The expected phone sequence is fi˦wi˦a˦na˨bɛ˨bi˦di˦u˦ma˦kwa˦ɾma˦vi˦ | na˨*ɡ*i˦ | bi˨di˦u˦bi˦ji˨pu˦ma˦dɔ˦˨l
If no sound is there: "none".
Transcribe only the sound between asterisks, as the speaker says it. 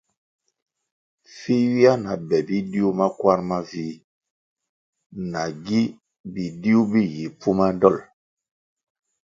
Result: ɡ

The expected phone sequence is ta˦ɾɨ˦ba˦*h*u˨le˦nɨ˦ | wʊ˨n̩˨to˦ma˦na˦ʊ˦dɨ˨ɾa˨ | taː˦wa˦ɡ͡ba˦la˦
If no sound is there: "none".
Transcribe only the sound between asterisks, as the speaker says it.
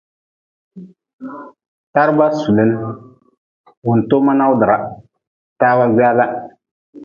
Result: s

